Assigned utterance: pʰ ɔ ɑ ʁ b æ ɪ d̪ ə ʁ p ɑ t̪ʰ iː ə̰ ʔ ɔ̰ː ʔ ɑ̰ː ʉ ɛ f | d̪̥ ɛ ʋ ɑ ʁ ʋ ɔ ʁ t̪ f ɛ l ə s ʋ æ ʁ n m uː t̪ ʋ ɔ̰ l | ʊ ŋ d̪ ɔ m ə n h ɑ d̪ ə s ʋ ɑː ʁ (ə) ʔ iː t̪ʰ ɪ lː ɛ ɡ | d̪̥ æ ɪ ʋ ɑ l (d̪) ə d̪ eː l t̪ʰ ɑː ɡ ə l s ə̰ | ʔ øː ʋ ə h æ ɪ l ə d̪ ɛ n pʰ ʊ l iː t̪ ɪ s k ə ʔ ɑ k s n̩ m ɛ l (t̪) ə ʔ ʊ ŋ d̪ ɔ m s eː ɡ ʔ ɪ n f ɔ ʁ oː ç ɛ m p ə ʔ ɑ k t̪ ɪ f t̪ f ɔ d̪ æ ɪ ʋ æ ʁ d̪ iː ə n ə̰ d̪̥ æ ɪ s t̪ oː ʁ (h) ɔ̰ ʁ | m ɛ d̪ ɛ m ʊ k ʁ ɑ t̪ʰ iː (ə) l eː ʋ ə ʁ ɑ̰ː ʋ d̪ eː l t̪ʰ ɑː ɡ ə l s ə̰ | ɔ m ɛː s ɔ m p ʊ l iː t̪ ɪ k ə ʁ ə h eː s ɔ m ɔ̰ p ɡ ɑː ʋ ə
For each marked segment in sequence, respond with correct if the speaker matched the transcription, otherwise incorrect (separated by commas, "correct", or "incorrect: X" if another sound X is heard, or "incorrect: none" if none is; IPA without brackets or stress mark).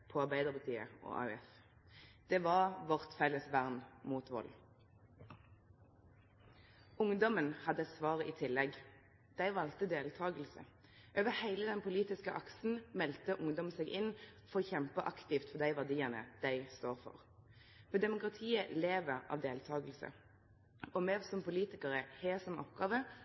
correct, incorrect: t̪, correct, incorrect: f, correct